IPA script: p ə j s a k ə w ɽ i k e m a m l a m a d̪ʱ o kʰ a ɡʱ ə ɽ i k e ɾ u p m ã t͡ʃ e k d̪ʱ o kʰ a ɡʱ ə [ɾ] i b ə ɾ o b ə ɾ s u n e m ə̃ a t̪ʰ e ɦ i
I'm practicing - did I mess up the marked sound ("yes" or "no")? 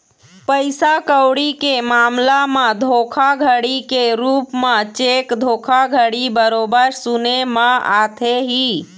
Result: yes